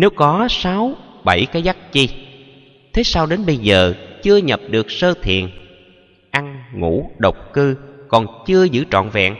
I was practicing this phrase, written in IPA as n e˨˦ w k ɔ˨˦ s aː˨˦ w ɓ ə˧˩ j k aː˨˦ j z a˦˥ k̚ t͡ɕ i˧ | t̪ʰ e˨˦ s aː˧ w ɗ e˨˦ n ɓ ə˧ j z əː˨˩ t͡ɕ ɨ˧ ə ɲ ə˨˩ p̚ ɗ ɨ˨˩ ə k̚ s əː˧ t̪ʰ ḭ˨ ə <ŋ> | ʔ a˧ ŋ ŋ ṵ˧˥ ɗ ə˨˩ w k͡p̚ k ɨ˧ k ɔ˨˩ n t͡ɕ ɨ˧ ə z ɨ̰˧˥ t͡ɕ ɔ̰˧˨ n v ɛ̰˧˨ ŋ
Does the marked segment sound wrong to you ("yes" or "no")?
yes